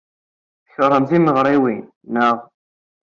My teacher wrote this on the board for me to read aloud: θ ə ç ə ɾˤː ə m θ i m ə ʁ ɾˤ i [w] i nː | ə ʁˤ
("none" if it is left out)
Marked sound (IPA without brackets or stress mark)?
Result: w